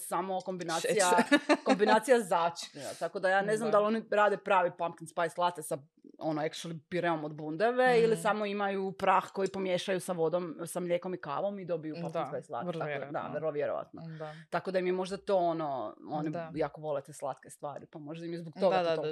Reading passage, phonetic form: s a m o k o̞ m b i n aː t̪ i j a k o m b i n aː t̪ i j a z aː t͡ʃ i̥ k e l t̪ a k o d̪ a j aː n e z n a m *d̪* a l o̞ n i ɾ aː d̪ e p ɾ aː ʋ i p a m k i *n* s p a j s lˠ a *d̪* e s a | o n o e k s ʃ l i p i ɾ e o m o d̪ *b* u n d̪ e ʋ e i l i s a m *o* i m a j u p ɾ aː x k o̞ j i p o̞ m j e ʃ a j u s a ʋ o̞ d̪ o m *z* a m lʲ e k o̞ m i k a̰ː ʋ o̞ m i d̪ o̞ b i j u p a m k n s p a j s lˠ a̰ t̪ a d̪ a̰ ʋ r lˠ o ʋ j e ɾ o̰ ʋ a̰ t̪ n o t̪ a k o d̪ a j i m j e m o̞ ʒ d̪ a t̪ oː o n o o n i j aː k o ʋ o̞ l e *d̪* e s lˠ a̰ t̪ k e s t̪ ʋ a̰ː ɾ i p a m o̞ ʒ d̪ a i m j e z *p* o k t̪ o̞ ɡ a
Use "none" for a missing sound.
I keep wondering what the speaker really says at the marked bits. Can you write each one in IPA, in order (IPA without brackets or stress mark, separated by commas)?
d̪, n, t̪, b, o, s, t̪, b